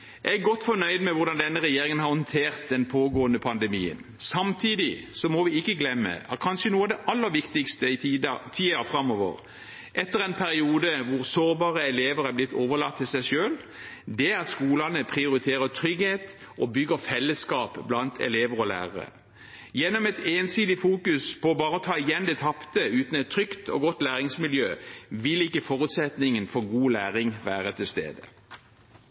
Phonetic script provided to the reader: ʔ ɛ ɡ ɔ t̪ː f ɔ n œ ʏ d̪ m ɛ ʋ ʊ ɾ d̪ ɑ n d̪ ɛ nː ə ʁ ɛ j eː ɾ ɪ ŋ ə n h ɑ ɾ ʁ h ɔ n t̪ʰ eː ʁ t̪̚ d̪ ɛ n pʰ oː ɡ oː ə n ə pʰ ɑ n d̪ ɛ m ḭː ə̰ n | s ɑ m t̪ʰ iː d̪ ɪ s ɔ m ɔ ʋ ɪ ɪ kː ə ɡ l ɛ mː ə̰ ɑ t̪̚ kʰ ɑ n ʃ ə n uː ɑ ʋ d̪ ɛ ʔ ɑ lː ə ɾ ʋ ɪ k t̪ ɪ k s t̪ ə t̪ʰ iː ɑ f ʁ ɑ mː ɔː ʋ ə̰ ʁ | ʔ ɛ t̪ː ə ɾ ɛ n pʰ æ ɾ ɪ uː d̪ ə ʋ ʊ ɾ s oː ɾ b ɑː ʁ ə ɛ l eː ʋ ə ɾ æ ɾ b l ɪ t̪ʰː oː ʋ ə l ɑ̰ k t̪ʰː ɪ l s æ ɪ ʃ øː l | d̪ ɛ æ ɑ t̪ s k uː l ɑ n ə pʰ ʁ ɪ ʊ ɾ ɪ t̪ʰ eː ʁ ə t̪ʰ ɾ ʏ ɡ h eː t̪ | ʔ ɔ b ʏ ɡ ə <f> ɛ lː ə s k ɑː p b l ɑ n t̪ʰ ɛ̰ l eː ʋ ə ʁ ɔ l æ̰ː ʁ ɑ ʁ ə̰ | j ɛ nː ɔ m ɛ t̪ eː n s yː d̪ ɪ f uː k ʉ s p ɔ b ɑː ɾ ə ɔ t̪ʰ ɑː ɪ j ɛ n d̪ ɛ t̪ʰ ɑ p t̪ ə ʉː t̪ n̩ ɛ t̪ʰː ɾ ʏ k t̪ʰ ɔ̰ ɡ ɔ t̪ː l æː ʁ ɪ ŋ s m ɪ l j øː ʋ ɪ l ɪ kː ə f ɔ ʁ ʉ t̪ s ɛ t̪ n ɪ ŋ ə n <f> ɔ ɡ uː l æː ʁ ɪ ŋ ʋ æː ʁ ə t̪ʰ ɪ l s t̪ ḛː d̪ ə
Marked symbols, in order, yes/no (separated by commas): yes, yes